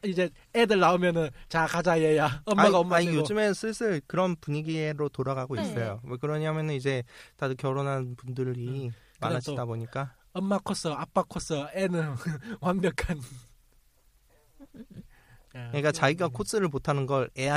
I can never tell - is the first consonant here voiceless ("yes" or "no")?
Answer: no